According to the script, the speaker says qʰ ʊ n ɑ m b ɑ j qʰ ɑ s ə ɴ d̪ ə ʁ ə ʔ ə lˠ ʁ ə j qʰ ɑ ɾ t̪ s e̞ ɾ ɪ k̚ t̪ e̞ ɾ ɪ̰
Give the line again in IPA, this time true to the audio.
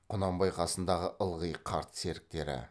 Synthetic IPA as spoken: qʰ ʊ n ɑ m b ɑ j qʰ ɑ s ə n d̪ ɑ ʁ ə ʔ ə lˠ ʁ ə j qʰ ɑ ɾ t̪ s e̞ ɾ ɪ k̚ t̪ e̞ ɾ ɪ̰